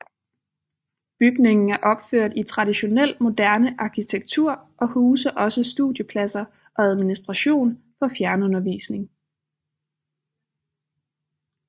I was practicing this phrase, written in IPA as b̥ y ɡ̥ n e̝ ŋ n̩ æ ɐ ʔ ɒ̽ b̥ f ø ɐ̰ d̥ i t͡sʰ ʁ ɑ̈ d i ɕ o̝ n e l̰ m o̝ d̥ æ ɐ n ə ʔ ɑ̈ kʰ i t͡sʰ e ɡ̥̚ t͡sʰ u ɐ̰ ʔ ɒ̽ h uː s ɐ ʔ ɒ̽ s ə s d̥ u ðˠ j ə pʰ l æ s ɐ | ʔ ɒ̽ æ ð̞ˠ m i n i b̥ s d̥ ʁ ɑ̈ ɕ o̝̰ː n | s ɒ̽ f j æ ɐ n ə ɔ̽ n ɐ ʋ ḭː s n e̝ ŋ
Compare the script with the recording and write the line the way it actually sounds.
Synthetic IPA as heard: b̥ y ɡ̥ n e̝ ŋ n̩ æ ɐ ʔ ɒ̽ b̥ f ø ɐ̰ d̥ i t͡sʰ ʁ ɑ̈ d i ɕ o̝ n e l̰ m o̝ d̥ æ ɐ n ə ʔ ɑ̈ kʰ i t͡sʰ e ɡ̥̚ t͡sʰ u ɐ̰ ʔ ɒ̽ h uː s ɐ ʔ ɒ̽ s ə s d̥ u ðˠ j ə pʰ l æ s ɐ | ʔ ɒ̽ æ ð̞ˠ m i n i s d̥ ʁ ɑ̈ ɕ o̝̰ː n | f ɒ̽ f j æ ɐ n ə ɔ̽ n ɐ ʋ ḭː s n e̝ ŋ

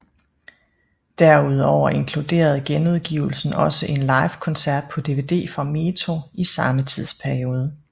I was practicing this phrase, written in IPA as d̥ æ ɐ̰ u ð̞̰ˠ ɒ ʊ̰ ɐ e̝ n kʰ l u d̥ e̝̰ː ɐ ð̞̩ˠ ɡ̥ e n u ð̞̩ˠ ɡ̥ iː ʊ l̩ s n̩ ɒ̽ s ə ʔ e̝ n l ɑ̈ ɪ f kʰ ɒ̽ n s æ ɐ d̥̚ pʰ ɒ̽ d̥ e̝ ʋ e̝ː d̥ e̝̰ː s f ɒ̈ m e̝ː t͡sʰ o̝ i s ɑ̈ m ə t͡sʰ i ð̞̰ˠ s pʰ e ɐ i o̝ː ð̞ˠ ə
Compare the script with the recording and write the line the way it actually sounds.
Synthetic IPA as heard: d̥ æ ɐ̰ u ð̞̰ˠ ɒ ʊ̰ ɐ e̝ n kʰ l u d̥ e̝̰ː ɐ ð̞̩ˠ ɡ̥ e n u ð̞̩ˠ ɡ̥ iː ʊ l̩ s n̩ ɒ̽ s ə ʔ e̝ n l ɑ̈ ɪ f kʰ ɒ̽ n s æ ɐ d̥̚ pʰ ɒ̽ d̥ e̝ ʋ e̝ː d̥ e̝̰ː f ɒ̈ m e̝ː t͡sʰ o̝ i s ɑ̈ m ə t͡sʰ i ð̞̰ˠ s pʰ æ ɐ i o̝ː ð̞ˠ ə

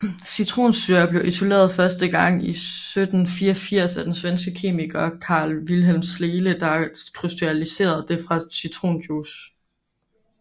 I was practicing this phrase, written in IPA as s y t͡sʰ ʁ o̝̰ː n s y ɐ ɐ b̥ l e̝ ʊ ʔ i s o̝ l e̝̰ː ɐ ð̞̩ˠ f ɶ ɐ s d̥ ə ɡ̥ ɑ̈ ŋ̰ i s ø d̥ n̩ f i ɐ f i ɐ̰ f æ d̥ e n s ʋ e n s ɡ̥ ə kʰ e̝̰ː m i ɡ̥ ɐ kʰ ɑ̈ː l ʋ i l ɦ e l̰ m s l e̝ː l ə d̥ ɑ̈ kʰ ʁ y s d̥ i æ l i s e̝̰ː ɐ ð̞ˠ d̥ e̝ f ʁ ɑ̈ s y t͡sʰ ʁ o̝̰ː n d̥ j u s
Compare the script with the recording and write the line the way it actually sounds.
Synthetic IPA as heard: s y t͡sʰ ʁ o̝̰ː n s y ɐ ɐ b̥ l e̝ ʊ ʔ i s o̝ l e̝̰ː ɐ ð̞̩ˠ f ɶ ɐ s d̥ ə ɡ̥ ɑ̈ ŋ̰ i s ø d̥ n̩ f i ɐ f i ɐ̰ s æ d̥ e n s ʋ e n s ɡ̥ ə kʰ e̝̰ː m i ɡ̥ ɐ kʰ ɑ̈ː l ʋ i l ɦ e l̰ m s l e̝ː l ə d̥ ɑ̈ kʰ ʁ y s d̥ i æ l i s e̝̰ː ɐ ð̞ˠ d̥ e̝ f ʁ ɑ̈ s y t͡sʰ ʁ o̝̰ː n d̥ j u s

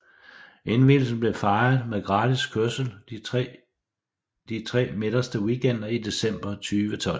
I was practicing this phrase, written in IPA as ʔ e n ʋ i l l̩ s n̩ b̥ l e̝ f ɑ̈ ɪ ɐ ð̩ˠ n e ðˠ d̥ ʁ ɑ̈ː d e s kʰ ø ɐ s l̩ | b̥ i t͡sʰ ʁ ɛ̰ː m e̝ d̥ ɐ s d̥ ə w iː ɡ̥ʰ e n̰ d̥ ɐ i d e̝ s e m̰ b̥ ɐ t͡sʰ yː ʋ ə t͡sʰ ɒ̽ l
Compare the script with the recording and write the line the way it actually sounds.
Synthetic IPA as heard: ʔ e n ʋ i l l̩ s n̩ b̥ l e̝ f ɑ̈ ɪ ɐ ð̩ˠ m e ðˠ ɡ̥ ʁ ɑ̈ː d i s kʰ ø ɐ s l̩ | d̥ i t͡sʰ ʁ ɛ̰ː m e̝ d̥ ɐ s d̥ ə w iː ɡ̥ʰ e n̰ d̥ ɐ i d e̝ s e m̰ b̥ ɐ t͡sʰ yː ʋ ə t͡sʰ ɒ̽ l

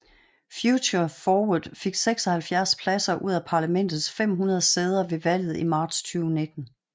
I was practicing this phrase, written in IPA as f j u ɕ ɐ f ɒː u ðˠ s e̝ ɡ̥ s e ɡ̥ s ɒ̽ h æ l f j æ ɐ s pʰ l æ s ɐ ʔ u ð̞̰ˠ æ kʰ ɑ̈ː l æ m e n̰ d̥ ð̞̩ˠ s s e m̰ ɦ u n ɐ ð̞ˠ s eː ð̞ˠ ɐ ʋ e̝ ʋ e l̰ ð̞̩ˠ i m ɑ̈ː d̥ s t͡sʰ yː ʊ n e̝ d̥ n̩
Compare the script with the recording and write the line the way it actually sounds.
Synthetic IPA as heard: f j u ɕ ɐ f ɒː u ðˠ f e̝ ɡ̥ s e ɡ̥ s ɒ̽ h æ l f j æ ɐ s pʰ l æ s ɐ ʔ u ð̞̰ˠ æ pʰ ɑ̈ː l æ m e n̰ d̥ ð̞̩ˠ s f e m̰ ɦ u n ɐ ð̞ˠ s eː ð̞ˠ ɐ ʋ e̝ ʋ æ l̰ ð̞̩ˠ i m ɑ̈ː d̥ s t͡sʰ yː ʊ n e̝ d̥ n̩

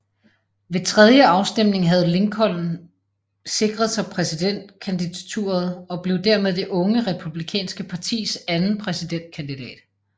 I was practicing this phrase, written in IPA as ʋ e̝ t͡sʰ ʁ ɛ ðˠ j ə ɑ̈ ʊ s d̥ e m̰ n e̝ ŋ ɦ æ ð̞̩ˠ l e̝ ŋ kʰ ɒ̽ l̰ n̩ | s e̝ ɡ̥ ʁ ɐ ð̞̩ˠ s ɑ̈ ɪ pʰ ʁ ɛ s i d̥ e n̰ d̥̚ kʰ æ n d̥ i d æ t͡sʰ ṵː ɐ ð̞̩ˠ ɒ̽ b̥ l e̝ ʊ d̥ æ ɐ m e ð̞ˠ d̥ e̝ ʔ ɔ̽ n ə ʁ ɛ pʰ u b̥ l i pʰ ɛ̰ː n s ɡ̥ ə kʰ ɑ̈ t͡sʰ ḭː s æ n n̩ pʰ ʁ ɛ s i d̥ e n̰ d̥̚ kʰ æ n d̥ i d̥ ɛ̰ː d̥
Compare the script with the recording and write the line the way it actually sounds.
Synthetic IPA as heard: ʋ e̝ t͡sʰ ʁ ɛ ðˠ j ə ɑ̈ ʊ s d̥ e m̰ n e̝ ŋ ɦ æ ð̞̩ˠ l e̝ ŋ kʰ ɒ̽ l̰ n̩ | s e̝ ɡ̥ ʁ ɐ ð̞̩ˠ s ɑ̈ ɪ pʰ ʁ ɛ s i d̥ e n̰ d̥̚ kʰ æ n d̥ i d æ t͡sʰ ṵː ɐ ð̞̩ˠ ɒ̽ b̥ l e̝ ʊ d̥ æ ɐ m e ð̞ˠ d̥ e̝ ʔ ɔ̽ ŋ ə ʁ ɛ pʰ u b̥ l i kʰ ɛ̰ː n s ɡ̥ ə pʰ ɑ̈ t͡sʰ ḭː s æ n n̩ pʰ ʁ ɛ s i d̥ e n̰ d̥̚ kʰ æ n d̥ i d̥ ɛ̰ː d̥

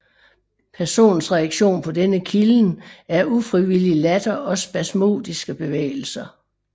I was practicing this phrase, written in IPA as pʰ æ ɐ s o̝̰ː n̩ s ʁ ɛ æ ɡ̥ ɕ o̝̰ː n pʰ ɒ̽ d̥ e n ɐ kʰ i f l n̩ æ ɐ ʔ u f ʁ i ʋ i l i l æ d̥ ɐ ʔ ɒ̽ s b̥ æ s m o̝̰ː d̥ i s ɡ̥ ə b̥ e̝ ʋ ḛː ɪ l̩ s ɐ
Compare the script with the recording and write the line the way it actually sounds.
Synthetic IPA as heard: pʰ æ ɐ s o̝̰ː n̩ s ʁ ɛ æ ɡ̥ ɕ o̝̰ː n pʰ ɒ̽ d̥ e n ə kʰ i l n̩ æ ɐ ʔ u f ʁ i ʋ i l i l æ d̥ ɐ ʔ ɒ̽ s b̥ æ s m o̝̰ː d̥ i s ɡ̥ ə b̥ e̝ ʋ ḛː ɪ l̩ s ɐ

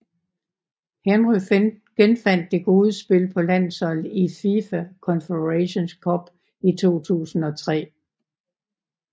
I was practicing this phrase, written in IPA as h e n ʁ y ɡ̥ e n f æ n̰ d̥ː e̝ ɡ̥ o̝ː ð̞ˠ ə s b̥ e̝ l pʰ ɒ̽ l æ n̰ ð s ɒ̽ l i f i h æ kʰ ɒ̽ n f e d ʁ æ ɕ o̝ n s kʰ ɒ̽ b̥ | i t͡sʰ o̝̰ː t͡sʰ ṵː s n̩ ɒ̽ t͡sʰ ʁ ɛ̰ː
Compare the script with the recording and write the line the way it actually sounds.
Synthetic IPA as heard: h e n ʁ y ɡ̥ e n f æ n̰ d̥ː e̝ ɡ̥ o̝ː ð̞ˠ ə s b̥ e̝ l pʰ ɒ̽ l æ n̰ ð s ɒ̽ l i f i f æ kʰ ɒ̽ n f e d ʁ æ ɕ o̝ n s kʰ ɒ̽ b̥ | i t͡sʰ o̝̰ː t͡sʰ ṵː s n̩ ɒ̽ t͡sʰ ʁ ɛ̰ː

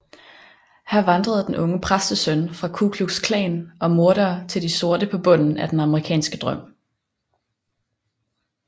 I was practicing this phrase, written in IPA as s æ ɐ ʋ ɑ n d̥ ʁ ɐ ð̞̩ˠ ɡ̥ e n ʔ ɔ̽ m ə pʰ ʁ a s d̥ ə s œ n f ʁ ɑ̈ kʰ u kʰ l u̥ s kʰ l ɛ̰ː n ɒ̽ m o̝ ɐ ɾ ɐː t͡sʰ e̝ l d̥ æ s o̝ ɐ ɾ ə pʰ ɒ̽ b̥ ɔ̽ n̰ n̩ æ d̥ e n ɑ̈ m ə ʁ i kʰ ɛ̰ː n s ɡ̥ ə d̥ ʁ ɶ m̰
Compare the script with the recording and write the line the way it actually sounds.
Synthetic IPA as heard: h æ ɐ ʋ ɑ n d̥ ʁ ɐ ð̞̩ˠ d̥ e n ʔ ɔ̽ ŋ ə pʰ ʁ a s d̥ ə s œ n f ʁ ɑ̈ kʰ u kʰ l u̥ s kʰ l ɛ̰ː n ɒ̽ m o̝ ɐ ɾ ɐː t͡sʰ e̝ l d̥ i s o̝ ɐ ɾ ə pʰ ɒ̽ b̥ ɔ̽ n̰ n̩ æ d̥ e n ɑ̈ m ə ʁ i kʰ ɛ̰ː n s ɡ̥ ə d̥ ʁ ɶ m̰

